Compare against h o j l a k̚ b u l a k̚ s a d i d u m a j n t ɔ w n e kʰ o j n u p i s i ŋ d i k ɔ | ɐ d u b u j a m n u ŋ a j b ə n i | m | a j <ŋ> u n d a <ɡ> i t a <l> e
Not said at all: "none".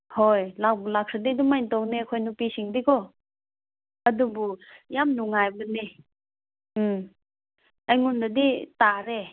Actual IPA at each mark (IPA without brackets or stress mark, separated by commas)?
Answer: ŋ, d, ɾ